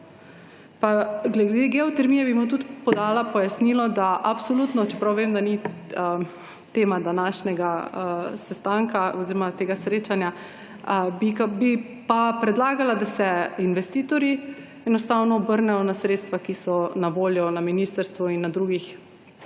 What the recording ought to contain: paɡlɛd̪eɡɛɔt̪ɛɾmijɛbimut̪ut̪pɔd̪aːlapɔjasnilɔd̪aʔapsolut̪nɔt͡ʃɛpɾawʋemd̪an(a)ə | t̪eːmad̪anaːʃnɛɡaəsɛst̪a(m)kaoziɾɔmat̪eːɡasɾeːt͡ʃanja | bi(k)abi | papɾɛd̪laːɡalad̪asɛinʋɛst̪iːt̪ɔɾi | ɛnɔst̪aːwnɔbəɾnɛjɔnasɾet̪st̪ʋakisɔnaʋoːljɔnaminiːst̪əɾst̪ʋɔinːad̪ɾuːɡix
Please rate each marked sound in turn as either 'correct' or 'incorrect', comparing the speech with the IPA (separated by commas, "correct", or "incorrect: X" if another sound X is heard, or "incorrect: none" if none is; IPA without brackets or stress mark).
incorrect: i, incorrect: ŋ, correct